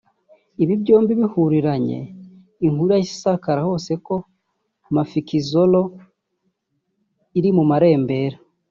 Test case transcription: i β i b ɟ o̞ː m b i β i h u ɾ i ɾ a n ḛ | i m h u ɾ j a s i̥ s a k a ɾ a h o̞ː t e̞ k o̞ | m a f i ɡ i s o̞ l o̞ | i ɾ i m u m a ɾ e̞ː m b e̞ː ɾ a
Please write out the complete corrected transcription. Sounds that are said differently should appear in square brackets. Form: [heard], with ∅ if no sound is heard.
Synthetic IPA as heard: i β i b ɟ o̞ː m b i β i h u ɾ i ɾ a [ɲ] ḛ | i [ŋ] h u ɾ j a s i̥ s a k a ɾ a h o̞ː [s] e̞ k o̞ | m a f i [k] i [z] o̞ l o̞ | i ɾ i m u m a ɾ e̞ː m b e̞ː ɾ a